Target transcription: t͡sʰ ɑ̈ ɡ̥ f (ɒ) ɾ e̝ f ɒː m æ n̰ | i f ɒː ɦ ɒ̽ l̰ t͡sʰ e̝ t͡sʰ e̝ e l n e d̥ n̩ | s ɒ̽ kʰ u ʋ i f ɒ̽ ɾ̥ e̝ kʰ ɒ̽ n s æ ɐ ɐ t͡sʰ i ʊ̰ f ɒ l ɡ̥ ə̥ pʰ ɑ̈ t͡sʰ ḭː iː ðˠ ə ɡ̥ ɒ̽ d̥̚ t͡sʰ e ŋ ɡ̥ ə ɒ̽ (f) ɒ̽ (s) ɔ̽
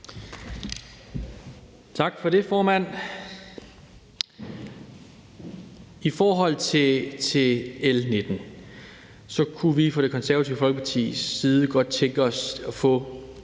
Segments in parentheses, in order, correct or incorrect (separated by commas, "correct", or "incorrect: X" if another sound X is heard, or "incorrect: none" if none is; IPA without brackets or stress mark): correct, incorrect: s, incorrect: f